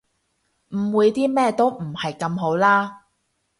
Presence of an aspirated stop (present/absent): absent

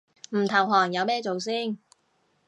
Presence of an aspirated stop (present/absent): present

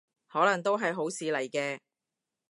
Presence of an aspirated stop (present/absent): absent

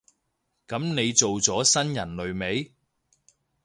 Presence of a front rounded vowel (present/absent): absent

